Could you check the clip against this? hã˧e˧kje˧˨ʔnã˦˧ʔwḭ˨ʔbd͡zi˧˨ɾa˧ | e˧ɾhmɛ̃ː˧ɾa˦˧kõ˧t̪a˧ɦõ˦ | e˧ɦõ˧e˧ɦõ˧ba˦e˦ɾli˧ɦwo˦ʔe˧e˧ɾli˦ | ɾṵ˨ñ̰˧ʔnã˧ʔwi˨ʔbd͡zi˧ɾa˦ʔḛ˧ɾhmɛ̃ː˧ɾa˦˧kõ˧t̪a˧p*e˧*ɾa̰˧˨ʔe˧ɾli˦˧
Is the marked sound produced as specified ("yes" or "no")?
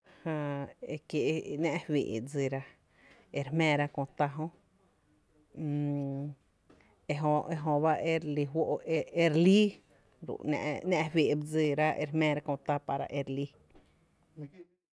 no